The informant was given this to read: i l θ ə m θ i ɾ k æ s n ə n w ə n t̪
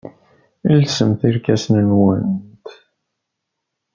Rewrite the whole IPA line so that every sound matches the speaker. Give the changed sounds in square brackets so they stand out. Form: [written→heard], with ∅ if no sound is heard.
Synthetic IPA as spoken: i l [θ→s] ə m θ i ɾ k æ s n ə n w ə n t̪